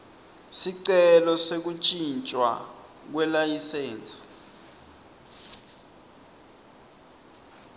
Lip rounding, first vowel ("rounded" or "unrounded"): unrounded